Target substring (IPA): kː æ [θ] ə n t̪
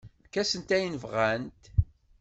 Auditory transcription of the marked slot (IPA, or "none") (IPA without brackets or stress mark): s